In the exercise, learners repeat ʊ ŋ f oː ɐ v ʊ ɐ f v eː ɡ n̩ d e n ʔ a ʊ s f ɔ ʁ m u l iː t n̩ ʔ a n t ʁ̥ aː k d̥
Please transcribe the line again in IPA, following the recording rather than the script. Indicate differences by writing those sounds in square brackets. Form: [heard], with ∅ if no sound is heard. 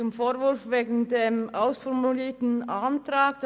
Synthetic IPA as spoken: ʊ [m] f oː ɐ v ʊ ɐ f v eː ɡ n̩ d e [m] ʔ a ʊ s f ɔ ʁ m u l iː t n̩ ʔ a n t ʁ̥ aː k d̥